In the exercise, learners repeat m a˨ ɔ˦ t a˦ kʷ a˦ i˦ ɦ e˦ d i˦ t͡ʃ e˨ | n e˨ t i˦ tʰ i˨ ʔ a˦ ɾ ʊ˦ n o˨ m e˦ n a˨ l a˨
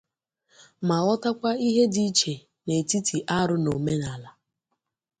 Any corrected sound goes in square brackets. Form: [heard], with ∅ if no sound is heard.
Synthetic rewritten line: m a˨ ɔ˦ t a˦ kʷ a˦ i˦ ɦ e˦ d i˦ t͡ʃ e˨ | n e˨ t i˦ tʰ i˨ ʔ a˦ ɾ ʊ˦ n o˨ m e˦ n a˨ l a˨

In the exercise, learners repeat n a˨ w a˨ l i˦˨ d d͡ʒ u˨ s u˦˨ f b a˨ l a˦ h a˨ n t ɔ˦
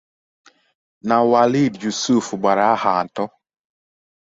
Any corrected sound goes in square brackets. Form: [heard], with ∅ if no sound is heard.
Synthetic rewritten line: n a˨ w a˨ l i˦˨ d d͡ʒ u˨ s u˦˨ f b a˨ [ɾ] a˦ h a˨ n t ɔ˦

